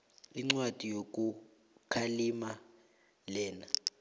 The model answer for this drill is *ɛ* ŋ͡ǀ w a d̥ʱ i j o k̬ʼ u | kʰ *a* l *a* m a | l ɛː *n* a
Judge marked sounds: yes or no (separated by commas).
no, yes, no, yes